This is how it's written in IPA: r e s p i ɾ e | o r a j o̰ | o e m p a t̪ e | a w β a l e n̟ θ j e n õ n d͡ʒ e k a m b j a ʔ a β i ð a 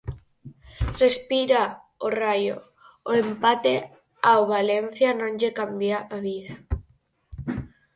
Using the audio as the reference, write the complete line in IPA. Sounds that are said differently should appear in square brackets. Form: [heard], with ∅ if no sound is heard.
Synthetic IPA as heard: r e s p i ɾ [a] | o r a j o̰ | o e m p a t̪ e | a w β a l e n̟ θ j [a] n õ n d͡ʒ e k a m b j a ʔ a β i ð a